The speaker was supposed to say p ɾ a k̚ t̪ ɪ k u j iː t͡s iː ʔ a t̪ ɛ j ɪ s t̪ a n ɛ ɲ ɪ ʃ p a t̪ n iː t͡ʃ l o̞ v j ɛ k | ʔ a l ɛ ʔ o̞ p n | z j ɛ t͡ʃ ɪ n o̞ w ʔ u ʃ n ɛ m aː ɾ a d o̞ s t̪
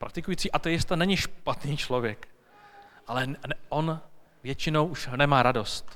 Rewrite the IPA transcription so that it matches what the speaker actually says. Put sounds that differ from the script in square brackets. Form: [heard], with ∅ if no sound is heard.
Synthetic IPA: p ɾ a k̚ t̪ ɪ k u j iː t͡s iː ʔ a t̪ ɛ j ɪ s t̪ a n ɛ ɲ ɪ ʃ p a t̪ n iː t͡ʃ l o̞ v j ɛ k | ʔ a l ɛ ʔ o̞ [∅] n | [v] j ɛ t͡ʃ ɪ n o̞ w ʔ u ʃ n ɛ m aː ɾ a d o̞ s t̪